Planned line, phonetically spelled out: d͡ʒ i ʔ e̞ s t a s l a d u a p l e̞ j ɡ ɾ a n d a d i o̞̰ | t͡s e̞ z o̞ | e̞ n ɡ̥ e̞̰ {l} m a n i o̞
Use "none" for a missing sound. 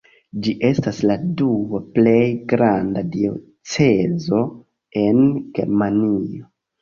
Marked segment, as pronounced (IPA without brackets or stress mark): ɾ